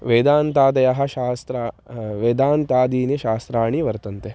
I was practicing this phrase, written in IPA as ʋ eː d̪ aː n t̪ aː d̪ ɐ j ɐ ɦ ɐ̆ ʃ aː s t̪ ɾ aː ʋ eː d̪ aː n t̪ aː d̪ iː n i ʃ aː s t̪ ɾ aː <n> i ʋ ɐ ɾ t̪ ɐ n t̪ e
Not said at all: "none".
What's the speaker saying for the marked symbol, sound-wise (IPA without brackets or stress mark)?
ɳ